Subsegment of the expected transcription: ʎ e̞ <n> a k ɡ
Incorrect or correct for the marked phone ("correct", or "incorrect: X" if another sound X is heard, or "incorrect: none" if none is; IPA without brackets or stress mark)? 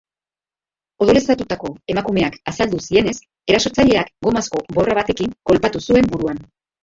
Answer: incorrect: none